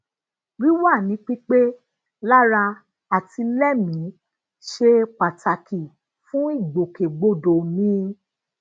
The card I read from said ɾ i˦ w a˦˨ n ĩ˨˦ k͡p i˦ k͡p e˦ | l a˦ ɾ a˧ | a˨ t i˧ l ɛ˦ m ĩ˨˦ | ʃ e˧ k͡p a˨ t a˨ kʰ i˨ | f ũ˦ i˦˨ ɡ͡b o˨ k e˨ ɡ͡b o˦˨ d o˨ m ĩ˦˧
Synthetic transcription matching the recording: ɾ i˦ w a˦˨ n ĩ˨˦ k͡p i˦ k͡p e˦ | l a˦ ɾ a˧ | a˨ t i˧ l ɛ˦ m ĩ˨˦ | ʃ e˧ k͡p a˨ t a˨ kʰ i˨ | f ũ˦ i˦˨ ɡ͡b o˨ k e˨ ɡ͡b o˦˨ d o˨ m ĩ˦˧